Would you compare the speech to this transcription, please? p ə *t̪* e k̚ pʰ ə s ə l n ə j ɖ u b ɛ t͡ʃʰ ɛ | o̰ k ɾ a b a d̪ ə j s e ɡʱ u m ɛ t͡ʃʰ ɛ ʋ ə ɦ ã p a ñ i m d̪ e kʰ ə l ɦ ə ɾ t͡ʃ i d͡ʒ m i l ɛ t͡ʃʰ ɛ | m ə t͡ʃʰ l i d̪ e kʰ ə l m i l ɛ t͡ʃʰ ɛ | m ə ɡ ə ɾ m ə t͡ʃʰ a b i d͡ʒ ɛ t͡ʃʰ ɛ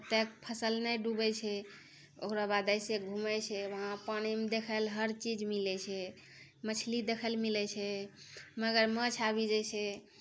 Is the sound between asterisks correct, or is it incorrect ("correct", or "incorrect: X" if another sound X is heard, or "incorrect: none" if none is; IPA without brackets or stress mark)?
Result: correct